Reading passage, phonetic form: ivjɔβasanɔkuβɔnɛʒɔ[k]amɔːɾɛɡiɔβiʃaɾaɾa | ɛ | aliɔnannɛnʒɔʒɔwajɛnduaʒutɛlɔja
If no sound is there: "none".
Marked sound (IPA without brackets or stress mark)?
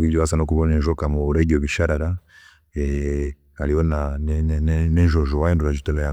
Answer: k